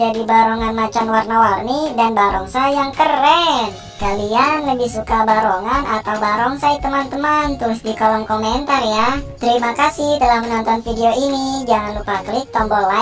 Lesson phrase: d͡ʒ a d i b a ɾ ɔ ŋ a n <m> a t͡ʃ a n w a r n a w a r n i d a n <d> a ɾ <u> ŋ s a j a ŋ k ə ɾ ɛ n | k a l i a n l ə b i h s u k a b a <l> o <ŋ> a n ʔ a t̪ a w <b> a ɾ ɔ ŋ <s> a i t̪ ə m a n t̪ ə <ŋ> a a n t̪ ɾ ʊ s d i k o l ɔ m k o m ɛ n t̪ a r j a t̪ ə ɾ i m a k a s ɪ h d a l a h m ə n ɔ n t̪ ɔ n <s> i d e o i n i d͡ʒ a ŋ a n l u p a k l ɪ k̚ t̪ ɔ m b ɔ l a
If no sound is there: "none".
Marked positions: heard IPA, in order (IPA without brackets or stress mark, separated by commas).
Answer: m, b, ɔ, ɾ, ŋ, b, s, m, f